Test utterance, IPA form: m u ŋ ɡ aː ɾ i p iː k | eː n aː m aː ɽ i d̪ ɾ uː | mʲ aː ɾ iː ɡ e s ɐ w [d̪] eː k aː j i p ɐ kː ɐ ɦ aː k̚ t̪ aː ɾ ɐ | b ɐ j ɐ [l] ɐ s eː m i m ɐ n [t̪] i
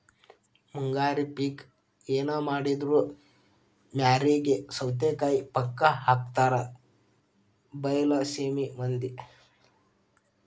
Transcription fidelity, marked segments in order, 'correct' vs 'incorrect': incorrect, correct, incorrect

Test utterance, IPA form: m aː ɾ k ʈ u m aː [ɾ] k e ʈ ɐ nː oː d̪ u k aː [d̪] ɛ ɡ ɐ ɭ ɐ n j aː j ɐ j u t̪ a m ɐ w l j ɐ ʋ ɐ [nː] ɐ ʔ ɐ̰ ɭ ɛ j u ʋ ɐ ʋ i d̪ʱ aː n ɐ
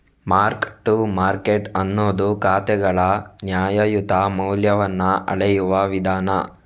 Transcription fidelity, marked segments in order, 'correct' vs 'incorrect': correct, incorrect, correct

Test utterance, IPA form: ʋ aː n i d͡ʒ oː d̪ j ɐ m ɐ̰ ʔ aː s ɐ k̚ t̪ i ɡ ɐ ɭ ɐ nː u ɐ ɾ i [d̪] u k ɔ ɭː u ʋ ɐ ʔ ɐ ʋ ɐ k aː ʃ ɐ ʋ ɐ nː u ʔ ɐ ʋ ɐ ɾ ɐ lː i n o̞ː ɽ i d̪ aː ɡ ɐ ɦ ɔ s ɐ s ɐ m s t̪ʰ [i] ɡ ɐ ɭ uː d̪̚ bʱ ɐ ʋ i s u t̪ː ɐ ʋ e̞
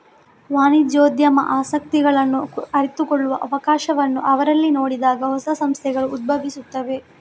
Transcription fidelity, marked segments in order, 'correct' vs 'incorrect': incorrect, incorrect

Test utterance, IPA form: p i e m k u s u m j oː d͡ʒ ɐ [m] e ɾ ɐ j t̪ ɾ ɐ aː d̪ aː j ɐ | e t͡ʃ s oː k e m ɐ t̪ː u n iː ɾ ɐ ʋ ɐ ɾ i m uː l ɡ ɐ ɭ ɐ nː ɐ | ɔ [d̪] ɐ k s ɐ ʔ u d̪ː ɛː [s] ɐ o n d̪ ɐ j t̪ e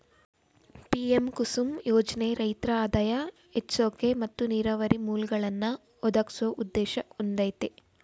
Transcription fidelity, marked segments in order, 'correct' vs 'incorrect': incorrect, correct, incorrect

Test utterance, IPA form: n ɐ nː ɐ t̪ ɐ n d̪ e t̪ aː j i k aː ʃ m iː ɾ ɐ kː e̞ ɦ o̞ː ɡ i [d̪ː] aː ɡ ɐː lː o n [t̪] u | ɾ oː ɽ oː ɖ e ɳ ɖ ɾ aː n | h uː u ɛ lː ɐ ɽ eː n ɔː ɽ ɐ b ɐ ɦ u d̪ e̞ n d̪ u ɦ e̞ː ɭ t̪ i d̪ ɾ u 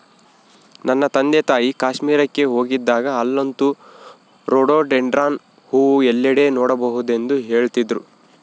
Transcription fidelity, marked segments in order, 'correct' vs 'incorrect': correct, correct

